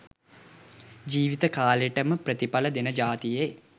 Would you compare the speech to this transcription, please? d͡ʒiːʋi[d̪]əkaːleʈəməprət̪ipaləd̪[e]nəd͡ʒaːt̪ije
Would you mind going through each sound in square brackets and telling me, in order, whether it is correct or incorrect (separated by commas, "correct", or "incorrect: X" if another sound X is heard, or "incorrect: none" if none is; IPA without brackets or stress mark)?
incorrect: t̪, correct